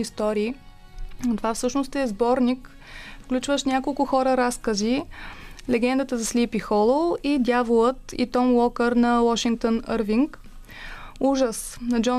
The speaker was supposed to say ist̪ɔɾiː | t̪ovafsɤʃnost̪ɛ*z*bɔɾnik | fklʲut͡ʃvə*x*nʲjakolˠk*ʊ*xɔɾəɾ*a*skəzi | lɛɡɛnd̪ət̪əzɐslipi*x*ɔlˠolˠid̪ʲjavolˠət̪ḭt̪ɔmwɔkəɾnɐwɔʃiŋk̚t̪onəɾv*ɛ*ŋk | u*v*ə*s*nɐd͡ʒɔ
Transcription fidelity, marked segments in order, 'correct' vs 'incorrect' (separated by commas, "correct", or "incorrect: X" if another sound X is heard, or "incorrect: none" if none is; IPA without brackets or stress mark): correct, incorrect: ʃ, correct, correct, correct, incorrect: i, incorrect: ʒ, correct